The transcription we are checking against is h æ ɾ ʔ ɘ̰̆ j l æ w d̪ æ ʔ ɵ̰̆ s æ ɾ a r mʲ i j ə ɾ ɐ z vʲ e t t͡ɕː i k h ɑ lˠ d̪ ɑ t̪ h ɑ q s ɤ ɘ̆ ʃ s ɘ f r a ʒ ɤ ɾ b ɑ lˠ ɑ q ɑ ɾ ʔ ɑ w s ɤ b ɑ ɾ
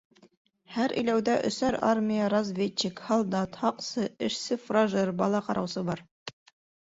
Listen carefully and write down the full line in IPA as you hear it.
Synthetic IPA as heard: h æ ɾ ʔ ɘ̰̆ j l æ w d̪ æ ʔ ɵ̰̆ s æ ɾ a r mʲ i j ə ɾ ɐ z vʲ e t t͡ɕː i k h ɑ lˠ d̪ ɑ t̪ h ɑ q s ɤ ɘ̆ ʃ s ɘ f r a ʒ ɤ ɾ b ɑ lˠ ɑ q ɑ ɾ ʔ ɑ w s ɤ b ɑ ɾ